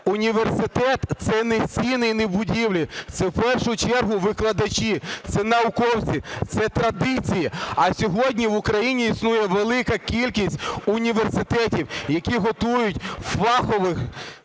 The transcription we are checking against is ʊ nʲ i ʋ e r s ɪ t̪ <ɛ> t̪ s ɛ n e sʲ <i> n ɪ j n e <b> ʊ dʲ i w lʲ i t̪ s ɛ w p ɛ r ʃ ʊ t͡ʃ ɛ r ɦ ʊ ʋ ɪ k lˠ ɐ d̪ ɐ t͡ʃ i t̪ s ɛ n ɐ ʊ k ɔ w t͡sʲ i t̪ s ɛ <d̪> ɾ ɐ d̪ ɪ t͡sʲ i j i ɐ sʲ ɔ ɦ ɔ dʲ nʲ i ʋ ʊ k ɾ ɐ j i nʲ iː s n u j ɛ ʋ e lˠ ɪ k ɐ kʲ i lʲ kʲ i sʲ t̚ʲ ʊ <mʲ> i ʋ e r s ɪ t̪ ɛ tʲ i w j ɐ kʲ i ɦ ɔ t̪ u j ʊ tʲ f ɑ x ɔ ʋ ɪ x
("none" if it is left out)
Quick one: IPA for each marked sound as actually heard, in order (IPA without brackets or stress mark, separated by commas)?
ɛ, i, b, t̪, nʲ